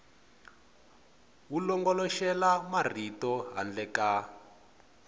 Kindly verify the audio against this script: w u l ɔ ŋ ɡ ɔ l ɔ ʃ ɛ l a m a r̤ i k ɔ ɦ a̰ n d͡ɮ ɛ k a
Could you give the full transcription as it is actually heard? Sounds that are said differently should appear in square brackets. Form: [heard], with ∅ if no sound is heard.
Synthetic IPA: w u l ɔ ŋ ɡ ɔ l ɔ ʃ ɛ l a m a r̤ i [t] ɔ ɦ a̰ n d͡ɮ ɛ k a